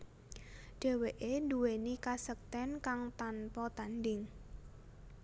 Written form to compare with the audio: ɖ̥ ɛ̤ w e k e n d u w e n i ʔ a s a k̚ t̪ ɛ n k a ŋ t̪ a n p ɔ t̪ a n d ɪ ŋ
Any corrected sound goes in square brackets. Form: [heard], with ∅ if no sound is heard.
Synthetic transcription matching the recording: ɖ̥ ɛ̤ w e [ʔ] e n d u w e n i [k] a s [ə] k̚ t̪ ɛ n k a ŋ t̪ a n p ɔ t̪ a n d ɪ ŋ